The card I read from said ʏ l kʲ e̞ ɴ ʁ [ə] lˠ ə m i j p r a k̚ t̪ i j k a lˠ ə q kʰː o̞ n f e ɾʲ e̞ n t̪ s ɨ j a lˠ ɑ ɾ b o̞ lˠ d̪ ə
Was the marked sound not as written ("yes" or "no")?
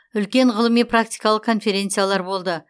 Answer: no